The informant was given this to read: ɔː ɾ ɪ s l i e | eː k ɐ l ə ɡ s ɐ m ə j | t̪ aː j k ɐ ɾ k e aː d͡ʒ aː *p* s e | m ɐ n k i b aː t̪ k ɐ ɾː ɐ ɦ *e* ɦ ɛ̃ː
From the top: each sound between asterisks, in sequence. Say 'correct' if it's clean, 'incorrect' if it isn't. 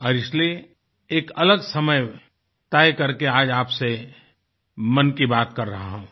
correct, incorrect: a

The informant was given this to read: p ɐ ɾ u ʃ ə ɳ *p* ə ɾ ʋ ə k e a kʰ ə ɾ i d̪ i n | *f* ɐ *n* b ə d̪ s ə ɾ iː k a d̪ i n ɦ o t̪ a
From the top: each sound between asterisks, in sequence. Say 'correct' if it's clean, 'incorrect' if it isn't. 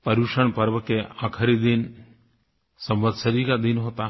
correct, incorrect: s, incorrect: m

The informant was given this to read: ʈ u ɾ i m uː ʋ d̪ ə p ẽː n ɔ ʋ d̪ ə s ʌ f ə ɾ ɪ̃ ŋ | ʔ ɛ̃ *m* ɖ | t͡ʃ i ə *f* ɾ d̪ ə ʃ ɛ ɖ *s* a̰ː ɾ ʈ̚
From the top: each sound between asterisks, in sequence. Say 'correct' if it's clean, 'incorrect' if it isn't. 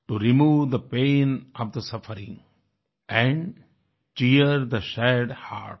incorrect: ɳ, incorrect: none, incorrect: h

